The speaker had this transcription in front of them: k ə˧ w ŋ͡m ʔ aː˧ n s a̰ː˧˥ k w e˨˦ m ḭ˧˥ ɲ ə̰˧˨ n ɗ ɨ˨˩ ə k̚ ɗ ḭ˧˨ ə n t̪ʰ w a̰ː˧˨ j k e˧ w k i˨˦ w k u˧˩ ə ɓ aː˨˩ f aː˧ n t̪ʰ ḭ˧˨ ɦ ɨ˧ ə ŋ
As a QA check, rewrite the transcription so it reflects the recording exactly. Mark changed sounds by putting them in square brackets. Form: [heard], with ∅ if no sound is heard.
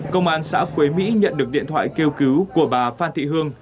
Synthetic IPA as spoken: k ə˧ w ŋ͡m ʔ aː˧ n s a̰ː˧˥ k w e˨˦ m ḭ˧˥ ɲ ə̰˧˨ n ɗ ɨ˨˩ ə k̚ ɗ ḭ˧˨ ə n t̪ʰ w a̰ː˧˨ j k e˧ w k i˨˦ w k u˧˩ ə ɓ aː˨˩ f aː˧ n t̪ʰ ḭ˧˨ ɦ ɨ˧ ə ŋ

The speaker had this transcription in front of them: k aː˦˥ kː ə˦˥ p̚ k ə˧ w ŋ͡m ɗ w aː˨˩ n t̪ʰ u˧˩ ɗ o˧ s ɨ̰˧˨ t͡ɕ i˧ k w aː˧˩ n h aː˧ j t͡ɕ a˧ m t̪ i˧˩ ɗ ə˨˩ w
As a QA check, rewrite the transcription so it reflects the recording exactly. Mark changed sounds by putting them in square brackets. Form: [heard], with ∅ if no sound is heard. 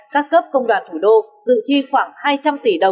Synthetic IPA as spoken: k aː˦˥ kː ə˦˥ p̚ k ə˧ w ŋ͡m ɗ w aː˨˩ n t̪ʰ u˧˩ ɗ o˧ [z] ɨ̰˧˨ t͡ɕ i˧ [x] w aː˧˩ [ŋ] h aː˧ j t͡ɕ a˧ m t̪ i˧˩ ɗ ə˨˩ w

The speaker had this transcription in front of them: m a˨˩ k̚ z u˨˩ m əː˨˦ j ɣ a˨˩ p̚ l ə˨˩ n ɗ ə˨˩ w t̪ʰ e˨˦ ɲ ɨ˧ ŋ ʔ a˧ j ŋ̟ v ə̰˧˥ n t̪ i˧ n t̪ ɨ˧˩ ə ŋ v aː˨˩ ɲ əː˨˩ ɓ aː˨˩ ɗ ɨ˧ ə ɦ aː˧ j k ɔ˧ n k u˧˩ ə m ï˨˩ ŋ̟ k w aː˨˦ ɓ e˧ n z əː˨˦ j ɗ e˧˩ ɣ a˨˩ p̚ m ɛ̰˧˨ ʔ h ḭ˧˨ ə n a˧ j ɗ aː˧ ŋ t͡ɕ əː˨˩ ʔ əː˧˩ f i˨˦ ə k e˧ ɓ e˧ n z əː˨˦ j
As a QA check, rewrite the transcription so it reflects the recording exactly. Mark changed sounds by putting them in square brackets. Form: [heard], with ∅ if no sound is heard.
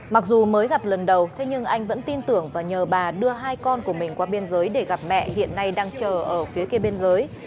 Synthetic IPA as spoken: m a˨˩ k̚ z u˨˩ m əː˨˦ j ɣ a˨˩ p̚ l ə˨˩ n ɗ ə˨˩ w t̪ʰ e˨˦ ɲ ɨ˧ ŋ ʔ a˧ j ŋ̟ v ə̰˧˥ n t̪ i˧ n t̪ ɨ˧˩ ə ŋ v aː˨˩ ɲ əː˨˩ ɓ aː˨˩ ɗ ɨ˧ ə ɦ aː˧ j k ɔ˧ n k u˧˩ ə m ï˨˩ ŋ̟ k w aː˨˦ ɓ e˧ n z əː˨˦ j ɗ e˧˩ ɣ a˨˩ p̚ m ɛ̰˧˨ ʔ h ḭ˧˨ ə [nː] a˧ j ɗ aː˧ ŋ t͡ɕ əː˨˩ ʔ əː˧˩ f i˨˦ ə k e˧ ɓ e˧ n z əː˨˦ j

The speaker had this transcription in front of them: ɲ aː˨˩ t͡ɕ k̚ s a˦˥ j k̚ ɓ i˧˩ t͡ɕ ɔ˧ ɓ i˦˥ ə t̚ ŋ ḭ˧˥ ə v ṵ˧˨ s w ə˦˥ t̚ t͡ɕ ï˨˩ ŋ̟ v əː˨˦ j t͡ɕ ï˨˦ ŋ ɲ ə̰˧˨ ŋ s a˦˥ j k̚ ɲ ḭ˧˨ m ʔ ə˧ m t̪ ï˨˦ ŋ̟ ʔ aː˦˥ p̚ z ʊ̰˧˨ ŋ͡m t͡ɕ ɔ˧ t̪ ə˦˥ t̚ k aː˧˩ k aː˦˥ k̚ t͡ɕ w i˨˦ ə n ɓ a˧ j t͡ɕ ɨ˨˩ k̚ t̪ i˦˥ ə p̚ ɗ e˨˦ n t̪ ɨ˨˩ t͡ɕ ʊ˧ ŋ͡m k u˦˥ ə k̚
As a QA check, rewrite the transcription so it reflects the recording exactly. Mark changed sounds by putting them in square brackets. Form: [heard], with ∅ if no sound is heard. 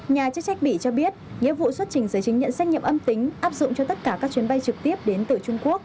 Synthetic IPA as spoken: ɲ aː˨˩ t͡ɕ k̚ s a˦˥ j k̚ ɓ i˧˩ t͡ɕ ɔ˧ ɓ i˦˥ ə t̚ ŋ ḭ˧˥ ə v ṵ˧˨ s w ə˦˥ t̚ t͡ɕ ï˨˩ ŋ̟ [z] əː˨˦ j t͡ɕ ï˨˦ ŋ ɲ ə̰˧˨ [n] s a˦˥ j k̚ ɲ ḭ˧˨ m ʔ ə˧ m t̪ ï˨˦ ŋ̟ ʔ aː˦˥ p̚ z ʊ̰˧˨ ŋ͡m t͡ɕ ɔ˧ t̪ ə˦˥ t̚ k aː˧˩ k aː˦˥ k̚ t͡ɕ w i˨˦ ə n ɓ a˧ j t͡ɕ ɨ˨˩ k̚ t̪ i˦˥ ə p̚ ɗ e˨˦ n t̪ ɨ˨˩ t͡ɕ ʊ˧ ŋ͡m k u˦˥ ə k̚

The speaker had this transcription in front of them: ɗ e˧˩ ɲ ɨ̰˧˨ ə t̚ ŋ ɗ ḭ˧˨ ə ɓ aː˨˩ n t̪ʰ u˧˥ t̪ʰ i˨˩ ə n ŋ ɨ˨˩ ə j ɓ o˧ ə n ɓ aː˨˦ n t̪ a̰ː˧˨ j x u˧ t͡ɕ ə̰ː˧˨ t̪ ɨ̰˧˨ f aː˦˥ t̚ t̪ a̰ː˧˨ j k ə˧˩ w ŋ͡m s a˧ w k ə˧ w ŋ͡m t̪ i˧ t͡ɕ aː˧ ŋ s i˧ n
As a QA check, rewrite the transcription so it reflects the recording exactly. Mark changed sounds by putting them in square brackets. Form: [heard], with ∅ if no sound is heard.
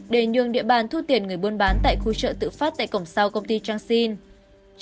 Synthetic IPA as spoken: ɗ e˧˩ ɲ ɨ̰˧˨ ə [∅] ŋ ɗ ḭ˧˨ ə ɓ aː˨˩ n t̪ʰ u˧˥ [t̪] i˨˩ ə n ŋ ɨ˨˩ ə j ɓ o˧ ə n ɓ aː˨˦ n t̪ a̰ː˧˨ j x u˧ t͡ɕ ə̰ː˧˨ t̪ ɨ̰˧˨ f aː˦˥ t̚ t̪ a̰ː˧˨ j k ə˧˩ w ŋ͡m s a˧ w k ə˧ w ŋ͡m t̪ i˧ t͡ɕ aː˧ ŋ s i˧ n

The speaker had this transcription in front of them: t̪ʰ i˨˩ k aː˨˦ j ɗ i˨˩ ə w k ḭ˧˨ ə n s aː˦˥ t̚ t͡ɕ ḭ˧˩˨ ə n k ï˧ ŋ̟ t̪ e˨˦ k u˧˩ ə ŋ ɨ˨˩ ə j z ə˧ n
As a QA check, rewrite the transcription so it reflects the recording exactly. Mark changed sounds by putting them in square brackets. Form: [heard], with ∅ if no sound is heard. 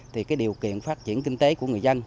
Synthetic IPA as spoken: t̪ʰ i˨˩ k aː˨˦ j ɗ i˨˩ ə w k ḭ˧˨ ə n [f] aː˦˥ t̚ t͡ɕ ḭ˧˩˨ ə n k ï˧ ŋ̟ t̪ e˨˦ k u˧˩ ə ŋ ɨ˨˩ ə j z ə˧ n

